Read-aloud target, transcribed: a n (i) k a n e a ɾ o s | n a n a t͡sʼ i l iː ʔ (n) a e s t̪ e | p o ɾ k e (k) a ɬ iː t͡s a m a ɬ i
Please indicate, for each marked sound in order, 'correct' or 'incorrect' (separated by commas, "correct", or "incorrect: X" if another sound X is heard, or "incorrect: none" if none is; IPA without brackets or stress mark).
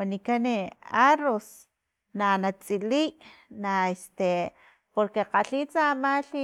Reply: correct, correct, incorrect: q